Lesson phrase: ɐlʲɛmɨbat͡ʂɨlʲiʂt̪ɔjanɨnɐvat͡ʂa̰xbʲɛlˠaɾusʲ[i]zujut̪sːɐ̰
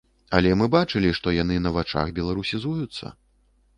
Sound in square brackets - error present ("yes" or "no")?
no